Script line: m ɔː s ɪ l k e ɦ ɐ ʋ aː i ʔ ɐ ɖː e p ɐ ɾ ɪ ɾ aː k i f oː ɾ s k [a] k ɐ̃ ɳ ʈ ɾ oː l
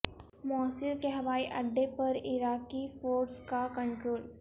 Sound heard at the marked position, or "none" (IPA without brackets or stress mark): a